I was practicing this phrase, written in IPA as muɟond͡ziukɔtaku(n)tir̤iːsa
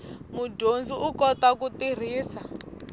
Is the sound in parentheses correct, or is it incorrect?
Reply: incorrect